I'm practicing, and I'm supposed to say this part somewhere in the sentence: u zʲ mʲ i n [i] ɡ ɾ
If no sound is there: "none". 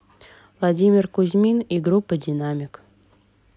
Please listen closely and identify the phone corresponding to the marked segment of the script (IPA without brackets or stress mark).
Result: i